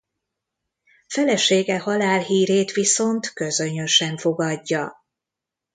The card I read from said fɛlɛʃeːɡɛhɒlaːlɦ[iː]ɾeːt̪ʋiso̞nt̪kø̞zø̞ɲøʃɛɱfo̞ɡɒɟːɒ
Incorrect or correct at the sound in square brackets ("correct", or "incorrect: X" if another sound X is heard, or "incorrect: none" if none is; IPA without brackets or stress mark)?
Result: correct